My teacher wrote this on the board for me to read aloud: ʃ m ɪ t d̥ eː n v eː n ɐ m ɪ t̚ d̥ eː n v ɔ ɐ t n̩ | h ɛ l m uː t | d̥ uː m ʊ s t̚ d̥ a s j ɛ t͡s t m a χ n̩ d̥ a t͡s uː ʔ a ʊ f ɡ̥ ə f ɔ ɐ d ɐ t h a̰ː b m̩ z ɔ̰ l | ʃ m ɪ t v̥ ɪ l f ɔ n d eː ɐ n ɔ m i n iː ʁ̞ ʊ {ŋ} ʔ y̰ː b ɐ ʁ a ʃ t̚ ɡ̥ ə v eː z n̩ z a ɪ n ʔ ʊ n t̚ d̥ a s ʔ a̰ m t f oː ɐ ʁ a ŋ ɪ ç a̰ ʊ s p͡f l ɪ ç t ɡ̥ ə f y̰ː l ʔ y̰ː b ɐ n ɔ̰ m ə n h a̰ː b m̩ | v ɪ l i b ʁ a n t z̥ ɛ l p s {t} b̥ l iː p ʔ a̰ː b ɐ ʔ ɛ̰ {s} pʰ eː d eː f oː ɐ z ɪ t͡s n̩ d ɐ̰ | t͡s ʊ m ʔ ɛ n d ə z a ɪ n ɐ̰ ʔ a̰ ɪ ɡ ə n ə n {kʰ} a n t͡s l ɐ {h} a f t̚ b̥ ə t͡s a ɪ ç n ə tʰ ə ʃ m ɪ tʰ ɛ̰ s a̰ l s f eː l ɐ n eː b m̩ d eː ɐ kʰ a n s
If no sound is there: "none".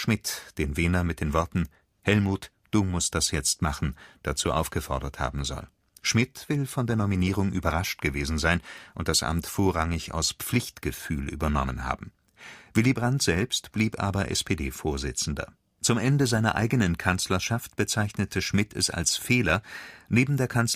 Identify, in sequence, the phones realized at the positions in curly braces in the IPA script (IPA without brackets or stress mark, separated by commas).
ŋ, t, s, kʰ, ʃ